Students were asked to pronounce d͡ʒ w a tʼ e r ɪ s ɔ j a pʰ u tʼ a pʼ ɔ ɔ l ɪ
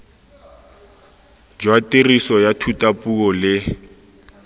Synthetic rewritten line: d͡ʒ w a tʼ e r i s ɔ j a tʰ u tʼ a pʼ u ɔ l ɪ